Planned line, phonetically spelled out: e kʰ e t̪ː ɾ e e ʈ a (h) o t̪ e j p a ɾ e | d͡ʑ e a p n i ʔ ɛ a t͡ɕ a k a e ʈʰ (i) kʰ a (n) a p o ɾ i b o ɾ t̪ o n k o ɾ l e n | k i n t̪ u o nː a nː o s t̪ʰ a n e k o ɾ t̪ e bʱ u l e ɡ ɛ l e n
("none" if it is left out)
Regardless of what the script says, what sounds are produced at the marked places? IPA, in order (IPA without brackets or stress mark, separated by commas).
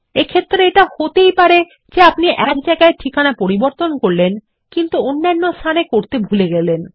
h, i, n